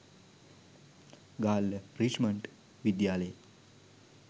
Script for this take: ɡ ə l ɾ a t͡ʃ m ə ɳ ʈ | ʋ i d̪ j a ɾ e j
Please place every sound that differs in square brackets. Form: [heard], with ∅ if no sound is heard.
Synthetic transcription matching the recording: ɡ [a] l ɾ [i] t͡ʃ m ə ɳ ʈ | ʋ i d̪ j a [l] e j

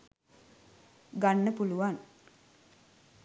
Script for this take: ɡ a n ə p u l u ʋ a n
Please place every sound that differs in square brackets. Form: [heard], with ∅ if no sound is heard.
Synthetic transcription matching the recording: ɡ a [nː] ə p u l u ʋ a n

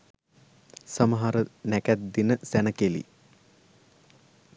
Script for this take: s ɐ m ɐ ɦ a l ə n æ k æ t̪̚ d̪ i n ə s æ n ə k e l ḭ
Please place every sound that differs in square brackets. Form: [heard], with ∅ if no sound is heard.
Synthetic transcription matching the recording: s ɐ m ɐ ɦ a [ɾ] ə n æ k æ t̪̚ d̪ i n ə s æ n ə k e l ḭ

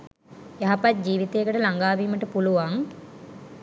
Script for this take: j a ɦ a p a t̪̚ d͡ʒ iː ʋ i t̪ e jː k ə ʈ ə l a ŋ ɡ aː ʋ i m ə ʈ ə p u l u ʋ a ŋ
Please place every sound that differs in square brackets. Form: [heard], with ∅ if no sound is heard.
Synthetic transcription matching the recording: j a ɦ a p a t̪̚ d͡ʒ iː ʋ i t̪ e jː k ə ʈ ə l a ŋ ɡ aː ʋ [iː] m ə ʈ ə p u l u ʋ a ŋ

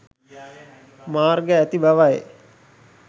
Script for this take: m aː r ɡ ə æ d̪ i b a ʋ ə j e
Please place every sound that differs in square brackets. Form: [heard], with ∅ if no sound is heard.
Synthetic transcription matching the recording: m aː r ɡ ə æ [t̪] i b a ʋ [a] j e

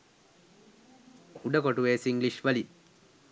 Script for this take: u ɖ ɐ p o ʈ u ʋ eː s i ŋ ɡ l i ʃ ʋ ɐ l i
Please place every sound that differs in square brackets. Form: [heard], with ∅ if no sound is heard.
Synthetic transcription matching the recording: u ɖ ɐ [k] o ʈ u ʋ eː s i ŋ ɡ l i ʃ ʋ ɐ l i

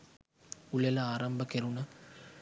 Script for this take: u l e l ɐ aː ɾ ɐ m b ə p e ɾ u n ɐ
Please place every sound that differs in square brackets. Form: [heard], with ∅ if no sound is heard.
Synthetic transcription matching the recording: u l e l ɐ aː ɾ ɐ m b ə [k] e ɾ u n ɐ

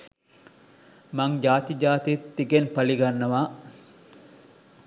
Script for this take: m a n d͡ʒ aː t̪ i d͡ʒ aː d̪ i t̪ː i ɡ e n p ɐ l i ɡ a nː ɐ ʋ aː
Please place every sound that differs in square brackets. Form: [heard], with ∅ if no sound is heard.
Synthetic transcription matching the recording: m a [ŋ] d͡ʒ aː t̪ i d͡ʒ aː [t̪] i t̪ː i ɡ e n p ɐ l i ɡ a nː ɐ ʋ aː

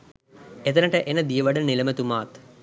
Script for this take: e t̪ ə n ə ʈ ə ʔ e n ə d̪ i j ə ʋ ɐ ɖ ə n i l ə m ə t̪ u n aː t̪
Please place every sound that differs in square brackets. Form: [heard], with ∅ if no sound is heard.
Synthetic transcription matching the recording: e t̪ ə n ə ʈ ə ʔ e n ə d̪ i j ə ʋ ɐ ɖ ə n i l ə m ə t̪ u [m] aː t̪

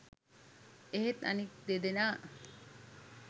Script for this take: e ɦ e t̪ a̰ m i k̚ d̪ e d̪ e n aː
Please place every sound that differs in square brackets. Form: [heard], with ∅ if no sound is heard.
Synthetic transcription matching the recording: e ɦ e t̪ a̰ [n] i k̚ d̪ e d̪ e n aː

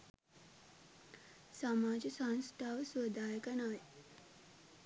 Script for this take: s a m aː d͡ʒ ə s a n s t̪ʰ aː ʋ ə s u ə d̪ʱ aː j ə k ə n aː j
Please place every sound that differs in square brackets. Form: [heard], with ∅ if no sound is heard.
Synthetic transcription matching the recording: s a m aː d͡ʒ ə s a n s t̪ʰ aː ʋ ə s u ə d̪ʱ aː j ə k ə n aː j

